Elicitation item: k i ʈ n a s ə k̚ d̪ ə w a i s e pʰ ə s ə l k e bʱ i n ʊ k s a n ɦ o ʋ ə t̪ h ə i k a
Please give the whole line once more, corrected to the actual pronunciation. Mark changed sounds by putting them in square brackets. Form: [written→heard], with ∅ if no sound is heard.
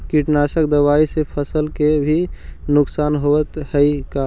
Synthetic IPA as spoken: k i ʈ n a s ə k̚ d̪ ə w a i s e pʰ ə s ə l k e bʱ i n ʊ k s a n ɦ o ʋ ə t̪ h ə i k a

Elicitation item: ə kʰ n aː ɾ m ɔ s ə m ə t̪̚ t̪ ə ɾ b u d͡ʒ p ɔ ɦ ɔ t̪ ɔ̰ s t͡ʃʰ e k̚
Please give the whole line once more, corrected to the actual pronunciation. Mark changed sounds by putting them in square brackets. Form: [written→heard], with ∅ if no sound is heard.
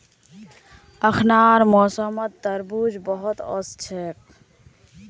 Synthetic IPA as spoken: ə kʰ n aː ɾ m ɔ s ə m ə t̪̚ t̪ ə ɾ b u d͡ʒ [p→b] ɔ ɦ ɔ t̪ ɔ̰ s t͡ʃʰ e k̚

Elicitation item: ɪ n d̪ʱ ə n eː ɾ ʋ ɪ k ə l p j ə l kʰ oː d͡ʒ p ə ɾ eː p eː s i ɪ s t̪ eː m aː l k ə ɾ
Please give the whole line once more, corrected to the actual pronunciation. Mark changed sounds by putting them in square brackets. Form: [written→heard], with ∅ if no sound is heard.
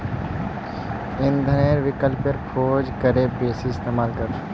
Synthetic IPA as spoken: ɪ n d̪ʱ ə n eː ɾ ʋ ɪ k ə l p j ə [l→ɾ] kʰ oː d͡ʒ [p→k] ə ɾ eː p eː s i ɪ s t̪ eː m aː l k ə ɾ

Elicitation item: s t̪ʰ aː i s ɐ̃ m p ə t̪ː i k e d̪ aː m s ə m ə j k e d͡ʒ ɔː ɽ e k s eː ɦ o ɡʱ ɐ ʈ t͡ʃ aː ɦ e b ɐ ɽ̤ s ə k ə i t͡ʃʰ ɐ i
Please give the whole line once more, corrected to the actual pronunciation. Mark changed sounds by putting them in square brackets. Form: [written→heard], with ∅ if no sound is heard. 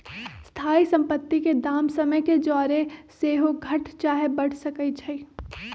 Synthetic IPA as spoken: s t̪ʰ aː i s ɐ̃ m p ə t̪ː i k e d̪ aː m s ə m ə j k e d͡ʒ ɔː [ɽ→ɾ] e [k→∅] s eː ɦ o ɡʱ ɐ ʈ t͡ʃ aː ɦ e b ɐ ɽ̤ s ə k ə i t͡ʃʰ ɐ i

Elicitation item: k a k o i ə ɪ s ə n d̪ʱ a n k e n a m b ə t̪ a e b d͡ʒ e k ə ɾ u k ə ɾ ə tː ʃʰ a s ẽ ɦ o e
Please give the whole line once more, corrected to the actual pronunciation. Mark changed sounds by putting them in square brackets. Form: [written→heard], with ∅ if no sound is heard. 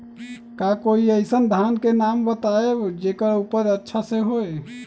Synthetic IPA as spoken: k a k o i ə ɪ s ə n d̪ʱ a n k e n a m b ə t̪ a e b d͡ʒ e k ə ɾ u [k→p] ə ɾ ə tː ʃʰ a s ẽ ɦ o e

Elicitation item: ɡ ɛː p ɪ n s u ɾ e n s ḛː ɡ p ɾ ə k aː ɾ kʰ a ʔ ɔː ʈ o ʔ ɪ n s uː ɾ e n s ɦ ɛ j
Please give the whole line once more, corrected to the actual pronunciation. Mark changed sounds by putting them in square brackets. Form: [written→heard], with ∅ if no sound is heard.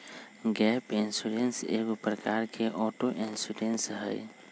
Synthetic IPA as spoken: ɡ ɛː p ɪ n s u ɾ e n s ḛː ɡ p ɾ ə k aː ɾ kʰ [a→e] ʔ ɔː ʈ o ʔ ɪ n s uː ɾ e n s ɦ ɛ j

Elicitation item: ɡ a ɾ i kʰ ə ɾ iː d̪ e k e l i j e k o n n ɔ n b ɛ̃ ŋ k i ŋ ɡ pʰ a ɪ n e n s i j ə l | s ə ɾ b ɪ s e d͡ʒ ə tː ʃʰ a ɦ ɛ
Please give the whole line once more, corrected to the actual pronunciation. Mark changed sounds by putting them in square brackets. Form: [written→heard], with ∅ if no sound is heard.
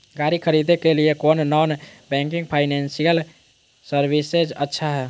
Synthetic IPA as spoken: ɡ a ɾ i kʰ ə ɾ [iː→i] d̪ e k e l i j e k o n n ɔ n b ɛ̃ ŋ k i ŋ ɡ pʰ a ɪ n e n s i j ə l | s ə ɾ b [ɪ→i] s e d͡ʒ ə tː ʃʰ a ɦ ɛ

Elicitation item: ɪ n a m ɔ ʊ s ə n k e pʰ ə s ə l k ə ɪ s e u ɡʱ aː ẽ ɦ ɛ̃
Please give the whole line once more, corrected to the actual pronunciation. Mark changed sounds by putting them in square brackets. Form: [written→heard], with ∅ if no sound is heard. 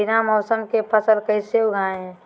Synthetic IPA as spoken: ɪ n a m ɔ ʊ s ə [n→m] k e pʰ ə s ə l k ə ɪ s e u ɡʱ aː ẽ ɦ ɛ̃

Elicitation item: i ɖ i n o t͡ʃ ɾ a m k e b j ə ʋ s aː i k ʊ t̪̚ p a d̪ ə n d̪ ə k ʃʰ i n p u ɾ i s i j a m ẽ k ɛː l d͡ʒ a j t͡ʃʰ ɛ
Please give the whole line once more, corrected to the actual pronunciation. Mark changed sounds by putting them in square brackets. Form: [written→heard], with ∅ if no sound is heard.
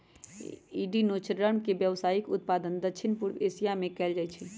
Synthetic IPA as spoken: i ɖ i n o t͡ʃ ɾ [a→ə] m k e b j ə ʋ s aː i k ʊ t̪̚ p a d̪ ə n d̪ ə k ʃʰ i n p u ɾ [i→e] s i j a m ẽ k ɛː l d͡ʒ a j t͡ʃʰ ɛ

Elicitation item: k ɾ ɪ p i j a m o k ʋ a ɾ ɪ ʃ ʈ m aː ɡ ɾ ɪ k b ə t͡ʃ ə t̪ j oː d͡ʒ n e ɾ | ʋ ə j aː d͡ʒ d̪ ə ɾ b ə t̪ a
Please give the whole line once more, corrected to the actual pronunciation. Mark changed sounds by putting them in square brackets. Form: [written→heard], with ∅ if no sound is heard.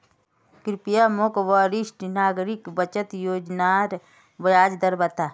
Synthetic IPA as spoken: k ɾ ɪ p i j a m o k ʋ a ɾ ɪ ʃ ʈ [m→n] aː ɡ ɾ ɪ k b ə t͡ʃ ə t̪ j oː d͡ʒ n [e→a] ɾ | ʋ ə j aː d͡ʒ d̪ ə ɾ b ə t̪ a

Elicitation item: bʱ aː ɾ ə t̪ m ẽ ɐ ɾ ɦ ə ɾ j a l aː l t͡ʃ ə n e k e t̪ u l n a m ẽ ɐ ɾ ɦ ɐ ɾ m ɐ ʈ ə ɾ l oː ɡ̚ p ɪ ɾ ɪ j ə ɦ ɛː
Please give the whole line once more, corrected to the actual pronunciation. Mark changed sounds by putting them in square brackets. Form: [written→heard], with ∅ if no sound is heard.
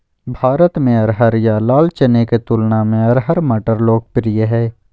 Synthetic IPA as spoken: bʱ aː ɾ ə t̪ m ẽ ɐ ɾ ɦ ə ɾ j a l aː l t͡ʃ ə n e k e t̪ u l n a m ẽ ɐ ɾ ɦ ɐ ɾ m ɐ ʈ ə ɾ l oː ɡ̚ p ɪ ɾ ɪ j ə ɦ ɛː

